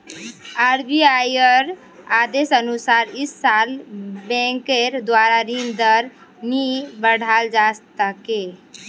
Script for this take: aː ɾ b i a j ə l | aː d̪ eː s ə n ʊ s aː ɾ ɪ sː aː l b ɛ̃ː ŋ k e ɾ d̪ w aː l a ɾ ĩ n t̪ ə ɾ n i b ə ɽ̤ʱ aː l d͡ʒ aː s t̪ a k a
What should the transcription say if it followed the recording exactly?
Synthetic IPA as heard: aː ɾ b i a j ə ɾ | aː d̪ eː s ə n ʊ s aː ɾ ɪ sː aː l b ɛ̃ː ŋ k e ɾ d̪ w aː ɾ a ɾ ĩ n d̪ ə ɾ n i b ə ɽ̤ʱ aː l d͡ʒ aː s t̪ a k e